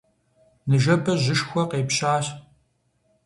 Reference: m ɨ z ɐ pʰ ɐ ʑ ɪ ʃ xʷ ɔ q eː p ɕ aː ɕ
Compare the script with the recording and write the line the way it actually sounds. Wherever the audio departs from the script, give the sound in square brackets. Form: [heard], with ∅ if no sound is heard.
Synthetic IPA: [n] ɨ [ʒ] ɐ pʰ ɐ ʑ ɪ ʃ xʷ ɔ q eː p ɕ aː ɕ